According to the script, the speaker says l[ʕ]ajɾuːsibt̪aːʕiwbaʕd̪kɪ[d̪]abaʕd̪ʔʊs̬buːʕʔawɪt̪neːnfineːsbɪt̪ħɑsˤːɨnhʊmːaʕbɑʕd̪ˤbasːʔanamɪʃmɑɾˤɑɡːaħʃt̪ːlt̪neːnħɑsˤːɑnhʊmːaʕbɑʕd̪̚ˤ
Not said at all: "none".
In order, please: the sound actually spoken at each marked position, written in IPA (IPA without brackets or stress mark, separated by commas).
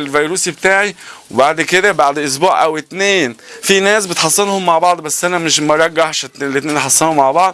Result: v, d̪